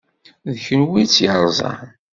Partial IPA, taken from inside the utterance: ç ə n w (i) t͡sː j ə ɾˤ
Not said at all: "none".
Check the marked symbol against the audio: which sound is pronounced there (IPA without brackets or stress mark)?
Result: i